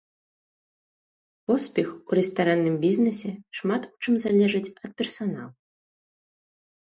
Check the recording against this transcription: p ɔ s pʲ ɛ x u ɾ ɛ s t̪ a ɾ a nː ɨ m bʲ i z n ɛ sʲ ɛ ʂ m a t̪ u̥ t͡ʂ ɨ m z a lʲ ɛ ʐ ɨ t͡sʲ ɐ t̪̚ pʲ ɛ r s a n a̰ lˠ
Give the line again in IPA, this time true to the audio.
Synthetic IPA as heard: p ɔ s pʲ ɛ x u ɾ ɛ s t̪ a ɾ a nː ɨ m bʲ i z n ɛ sʲ ɛ ʂ m a t̪ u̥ t͡ʂ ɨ m z a lʲ ɛ ʐ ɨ t͡sʲ ɐ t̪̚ pʲ ɛ r s a n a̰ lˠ